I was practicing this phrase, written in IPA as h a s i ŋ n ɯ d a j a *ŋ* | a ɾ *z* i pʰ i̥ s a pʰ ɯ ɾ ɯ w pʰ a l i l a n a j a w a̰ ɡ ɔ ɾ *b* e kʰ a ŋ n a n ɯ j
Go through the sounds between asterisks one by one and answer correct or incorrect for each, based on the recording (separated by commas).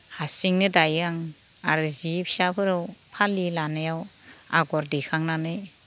correct, correct, incorrect